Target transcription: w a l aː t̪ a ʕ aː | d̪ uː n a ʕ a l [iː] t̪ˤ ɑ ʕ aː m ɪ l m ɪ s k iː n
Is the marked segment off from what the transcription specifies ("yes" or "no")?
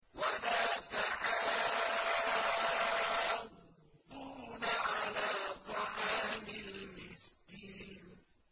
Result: yes